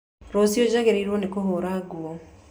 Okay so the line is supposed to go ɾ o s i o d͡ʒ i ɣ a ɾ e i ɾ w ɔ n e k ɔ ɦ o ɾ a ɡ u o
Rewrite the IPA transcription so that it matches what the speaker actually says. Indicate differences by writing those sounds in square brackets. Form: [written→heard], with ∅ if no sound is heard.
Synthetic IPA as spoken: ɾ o s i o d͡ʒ [i→a] ɣ [a→e] ɾ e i ɾ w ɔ n e k [ɔ→o] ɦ o ɾ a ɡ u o